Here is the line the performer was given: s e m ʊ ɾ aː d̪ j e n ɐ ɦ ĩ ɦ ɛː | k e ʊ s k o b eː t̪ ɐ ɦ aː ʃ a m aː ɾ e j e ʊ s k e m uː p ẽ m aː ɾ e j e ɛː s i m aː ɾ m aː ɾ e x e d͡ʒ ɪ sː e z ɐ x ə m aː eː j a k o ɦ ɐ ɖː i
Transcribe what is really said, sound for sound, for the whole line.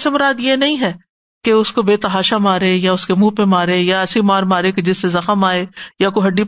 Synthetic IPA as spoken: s e m ʊ ɾ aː d̪ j e n ɐ ɦ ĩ ɦ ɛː | k e ʊ s k o b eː t̪ ɐ ɦ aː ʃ a m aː ɾ e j a ʊ s k e m uː p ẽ m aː ɾ e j a ɛː s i m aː ɾ m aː ɾ e k e d͡ʒ ɪ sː e z ɐ x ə m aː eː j a k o ɦ ɐ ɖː i